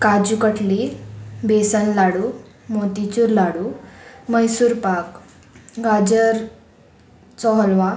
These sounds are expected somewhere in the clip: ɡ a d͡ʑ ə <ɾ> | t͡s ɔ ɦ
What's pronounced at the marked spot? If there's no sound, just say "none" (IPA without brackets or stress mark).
ɾ